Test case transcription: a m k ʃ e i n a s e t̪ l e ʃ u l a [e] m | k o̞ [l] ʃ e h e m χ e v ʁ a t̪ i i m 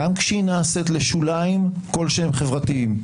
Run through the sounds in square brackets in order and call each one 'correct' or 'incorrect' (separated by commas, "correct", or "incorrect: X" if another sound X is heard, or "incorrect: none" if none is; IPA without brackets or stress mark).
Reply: incorrect: i, correct